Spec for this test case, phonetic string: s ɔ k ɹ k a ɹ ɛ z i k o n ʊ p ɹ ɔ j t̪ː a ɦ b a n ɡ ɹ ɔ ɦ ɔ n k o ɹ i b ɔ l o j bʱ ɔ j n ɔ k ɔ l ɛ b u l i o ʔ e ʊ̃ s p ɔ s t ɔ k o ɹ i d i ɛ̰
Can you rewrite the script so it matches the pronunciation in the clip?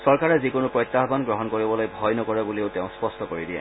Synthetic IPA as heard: s ɔ ɹ k a ɹ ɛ z i k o n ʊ p ɹ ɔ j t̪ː a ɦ b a n ɡ ɹ ɔ ɦ ɔ n k o ɹ i b ɔ l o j bʱ ɔ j n ɔ k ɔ ɹ ɛ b u l i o t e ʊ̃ s p ɔ s t ɔ k o ɹ i d i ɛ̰